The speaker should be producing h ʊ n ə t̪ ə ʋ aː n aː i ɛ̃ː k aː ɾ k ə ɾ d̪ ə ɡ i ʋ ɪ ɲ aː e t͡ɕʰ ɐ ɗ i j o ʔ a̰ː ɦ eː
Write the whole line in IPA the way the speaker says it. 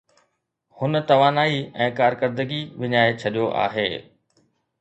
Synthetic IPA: h ʊ n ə t̪ ɐ ʋ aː n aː i ɛ̃ː k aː ɾ k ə ɾ d̪ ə ɡ i ʋ ɪ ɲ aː e t͡ɕʰ ɐ ɗ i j o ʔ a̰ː ɦ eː